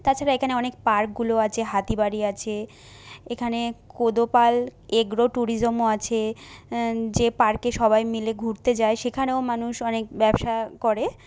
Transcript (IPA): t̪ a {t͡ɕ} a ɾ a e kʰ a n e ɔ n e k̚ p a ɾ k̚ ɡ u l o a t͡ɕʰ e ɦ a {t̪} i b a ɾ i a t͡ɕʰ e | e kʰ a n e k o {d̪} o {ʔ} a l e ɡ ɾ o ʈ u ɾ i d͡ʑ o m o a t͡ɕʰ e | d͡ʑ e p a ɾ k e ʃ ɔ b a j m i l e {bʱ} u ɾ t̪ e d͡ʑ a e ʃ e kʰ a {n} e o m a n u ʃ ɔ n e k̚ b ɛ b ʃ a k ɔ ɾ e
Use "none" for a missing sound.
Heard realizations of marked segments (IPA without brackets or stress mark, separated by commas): t͡ɕʰ, t̪, d̪, p, ɡʱ, n